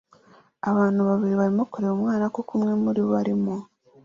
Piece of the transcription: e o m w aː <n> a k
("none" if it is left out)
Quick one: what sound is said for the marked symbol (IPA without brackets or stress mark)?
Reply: n